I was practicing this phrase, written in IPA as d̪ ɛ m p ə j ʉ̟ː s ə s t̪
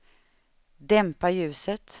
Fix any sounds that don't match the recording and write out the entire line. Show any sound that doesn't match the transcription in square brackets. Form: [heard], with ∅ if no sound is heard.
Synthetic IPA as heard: d̪ ɛ m p [a] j ʉ̟ː s ə [∅] t̪